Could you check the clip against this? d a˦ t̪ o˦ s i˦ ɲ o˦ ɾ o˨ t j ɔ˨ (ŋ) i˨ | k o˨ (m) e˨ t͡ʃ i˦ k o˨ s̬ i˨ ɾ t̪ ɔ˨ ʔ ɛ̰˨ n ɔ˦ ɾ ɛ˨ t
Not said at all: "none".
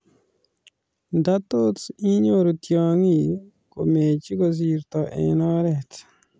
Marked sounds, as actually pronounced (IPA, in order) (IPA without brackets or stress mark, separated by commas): ŋ, m